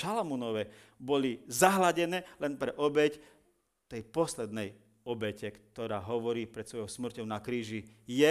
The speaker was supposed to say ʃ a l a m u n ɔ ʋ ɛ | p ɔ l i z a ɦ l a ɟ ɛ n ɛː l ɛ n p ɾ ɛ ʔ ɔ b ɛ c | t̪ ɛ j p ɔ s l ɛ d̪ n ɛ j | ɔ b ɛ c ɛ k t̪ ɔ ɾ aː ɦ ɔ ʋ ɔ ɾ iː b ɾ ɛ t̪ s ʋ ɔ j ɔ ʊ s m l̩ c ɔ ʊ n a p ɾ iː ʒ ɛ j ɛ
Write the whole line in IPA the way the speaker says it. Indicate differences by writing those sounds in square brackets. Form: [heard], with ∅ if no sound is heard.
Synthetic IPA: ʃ a l a m u n ɔ ʋ ɛ | [b] ɔ l i z a ɦ l a ɟ ɛ n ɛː l ɛ n p ɾ ɛ ʔ ɔ b ɛ c | t̪ ɛ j p ɔ s l ɛ d̪ n ɛ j | ɔ b ɛ c ɛ k t̪ ɔ ɾ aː ɦ ɔ ʋ ɔ ɾ iː [p] ɾ ɛ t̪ s ʋ ɔ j ɔ ʊ s m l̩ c ɔ ʊ n a [k] ɾ iː ʒ [i] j ɛ